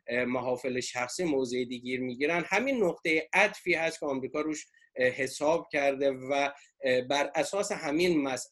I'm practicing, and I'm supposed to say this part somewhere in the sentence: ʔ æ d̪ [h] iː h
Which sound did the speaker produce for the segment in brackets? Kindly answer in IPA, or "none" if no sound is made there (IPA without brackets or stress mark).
f